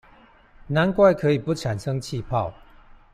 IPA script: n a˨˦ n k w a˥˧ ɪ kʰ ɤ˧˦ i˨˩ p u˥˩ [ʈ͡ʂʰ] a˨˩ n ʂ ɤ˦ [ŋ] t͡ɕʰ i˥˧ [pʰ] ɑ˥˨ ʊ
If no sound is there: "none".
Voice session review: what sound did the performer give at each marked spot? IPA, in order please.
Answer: ʈ͡ʂʰ, ŋ, pʰ

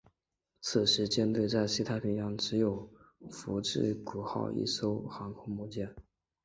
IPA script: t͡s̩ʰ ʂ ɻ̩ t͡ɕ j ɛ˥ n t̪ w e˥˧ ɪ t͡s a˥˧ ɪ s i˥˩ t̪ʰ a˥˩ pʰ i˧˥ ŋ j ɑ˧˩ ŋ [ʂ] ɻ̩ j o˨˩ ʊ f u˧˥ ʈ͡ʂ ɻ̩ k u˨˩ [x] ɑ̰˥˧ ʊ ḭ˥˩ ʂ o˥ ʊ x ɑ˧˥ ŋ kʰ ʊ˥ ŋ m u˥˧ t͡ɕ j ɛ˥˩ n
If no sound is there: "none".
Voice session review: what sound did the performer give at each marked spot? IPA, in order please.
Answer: ʈ͡ʂ, x

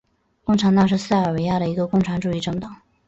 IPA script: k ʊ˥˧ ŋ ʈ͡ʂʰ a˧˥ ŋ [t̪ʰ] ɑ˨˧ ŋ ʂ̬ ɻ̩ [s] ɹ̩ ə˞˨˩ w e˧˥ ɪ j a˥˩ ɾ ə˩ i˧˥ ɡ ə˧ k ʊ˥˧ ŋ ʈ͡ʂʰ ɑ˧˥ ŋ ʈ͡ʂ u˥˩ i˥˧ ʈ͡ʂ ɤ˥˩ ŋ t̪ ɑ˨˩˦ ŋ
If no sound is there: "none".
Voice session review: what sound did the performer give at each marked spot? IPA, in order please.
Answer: t̪, s

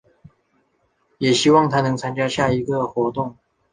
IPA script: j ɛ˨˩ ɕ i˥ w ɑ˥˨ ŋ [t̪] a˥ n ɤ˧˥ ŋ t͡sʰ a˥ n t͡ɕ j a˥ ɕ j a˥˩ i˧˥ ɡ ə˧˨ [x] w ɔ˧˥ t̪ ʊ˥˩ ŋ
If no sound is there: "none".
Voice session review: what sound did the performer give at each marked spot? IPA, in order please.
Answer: t̪ʰ, x

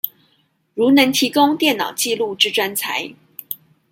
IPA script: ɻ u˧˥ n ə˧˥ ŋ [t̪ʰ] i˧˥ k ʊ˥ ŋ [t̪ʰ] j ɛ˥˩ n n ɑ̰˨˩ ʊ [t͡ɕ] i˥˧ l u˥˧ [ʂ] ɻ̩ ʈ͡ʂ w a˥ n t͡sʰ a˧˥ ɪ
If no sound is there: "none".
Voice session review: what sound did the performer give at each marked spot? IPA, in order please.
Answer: t̪ʰ, t̪, t͡ɕ, ʈ͡ʂ

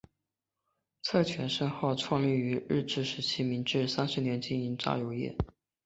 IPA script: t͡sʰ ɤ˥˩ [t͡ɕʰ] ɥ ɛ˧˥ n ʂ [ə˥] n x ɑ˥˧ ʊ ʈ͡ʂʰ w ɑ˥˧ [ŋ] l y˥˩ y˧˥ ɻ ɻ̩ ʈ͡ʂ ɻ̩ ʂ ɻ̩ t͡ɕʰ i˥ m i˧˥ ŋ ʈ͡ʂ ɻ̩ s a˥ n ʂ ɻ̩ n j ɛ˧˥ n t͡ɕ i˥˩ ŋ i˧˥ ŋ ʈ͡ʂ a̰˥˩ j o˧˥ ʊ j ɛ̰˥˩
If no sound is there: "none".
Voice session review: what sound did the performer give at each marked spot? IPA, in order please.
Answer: t͡ɕʰ, ə˥, ŋ

